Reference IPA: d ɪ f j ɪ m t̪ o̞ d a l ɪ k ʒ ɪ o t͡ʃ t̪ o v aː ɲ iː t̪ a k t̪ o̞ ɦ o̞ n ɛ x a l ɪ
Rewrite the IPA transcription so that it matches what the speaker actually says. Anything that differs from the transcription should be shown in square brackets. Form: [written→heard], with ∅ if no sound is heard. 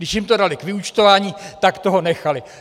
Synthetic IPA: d ɪ [f→ʃ] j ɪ m t̪ o̞ d a l ɪ k [ʒ→v] ɪ [o→u] t͡ʃ t̪ o v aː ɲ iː t̪ a k t̪ o̞ ɦ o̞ n ɛ x a l ɪ